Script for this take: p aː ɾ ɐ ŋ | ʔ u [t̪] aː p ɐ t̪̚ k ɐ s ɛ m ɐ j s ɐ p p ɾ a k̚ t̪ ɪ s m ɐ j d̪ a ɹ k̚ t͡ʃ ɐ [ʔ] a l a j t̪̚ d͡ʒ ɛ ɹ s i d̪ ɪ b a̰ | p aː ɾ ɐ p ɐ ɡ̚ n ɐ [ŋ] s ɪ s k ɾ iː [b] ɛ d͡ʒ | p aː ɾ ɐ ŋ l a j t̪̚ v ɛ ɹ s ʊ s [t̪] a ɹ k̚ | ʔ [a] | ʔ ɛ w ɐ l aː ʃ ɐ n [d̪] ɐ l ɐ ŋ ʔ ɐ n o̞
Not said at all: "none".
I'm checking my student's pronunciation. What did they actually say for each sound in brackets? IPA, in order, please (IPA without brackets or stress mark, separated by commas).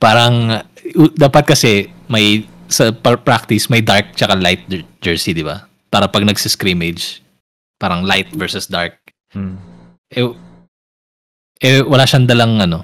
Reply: d̪, k, ɡ, m, d̪, ɛ, d̪